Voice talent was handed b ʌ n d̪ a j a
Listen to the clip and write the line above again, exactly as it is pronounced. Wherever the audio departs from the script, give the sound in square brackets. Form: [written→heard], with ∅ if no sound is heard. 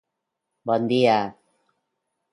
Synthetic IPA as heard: b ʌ n d̪ [a→i] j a